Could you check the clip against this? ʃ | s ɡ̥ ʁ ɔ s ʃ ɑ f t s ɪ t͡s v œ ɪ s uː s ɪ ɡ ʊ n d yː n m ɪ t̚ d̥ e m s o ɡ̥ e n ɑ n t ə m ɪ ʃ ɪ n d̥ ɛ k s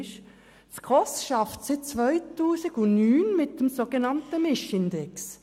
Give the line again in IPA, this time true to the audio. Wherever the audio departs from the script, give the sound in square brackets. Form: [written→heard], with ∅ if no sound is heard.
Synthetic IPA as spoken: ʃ | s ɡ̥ ʁ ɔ s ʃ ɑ f t s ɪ t͡s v œ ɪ [s→t] uː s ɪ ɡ ʊ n [d→n] yː n m ɪ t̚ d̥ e m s o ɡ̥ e n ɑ n t ə m ɪ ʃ ɪ n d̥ ɛ k s